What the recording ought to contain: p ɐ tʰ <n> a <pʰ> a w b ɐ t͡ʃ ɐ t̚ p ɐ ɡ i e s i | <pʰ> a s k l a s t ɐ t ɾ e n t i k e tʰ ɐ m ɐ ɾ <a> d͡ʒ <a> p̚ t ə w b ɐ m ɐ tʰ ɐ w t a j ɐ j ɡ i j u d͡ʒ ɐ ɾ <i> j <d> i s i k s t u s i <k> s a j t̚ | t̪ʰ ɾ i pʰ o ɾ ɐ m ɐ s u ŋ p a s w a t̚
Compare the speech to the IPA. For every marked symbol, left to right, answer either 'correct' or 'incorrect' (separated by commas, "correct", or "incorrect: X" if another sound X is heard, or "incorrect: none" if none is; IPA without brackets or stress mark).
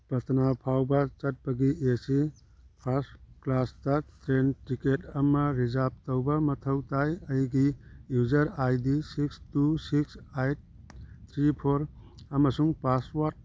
correct, correct, correct, incorrect: i, correct, incorrect: a, correct, correct